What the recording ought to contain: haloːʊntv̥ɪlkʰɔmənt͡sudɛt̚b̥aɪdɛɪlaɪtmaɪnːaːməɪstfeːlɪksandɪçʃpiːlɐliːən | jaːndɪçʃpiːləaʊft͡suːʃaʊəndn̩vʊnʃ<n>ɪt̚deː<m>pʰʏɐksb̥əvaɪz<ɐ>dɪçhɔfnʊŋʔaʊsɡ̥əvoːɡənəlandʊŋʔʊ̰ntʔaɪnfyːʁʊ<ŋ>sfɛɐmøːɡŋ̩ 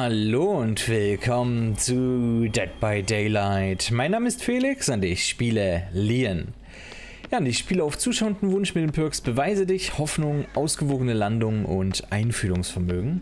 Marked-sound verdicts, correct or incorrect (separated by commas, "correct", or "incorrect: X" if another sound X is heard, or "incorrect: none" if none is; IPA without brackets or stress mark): incorrect: m, correct, incorrect: ə, correct